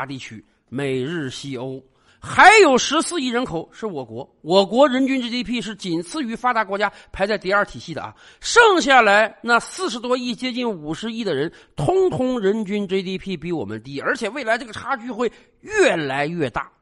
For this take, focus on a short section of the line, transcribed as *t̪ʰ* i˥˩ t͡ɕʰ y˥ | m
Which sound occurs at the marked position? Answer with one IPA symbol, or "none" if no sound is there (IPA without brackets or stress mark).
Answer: t̪